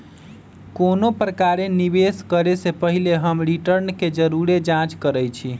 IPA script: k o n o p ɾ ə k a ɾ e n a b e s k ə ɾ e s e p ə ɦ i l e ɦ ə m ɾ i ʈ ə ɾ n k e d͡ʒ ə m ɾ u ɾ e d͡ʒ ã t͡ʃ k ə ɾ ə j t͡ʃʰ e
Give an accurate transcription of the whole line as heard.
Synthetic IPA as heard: k o n o p ɾ ə k a ɾ e n i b e s k ə ɾ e s e p ə ɦ i l e ɦ ə m ɾ i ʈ ə ɾ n k e d͡ʒ ə ɾ u ɾ e d͡ʒ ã t͡ʃ k ə ɾ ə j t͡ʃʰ i